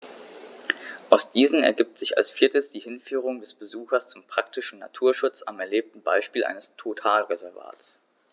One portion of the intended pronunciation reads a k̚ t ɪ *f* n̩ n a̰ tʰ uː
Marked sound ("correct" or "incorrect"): incorrect